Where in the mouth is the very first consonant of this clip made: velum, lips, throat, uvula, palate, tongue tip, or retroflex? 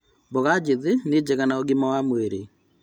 lips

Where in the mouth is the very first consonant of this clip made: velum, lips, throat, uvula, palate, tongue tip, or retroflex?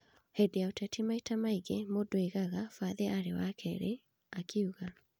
throat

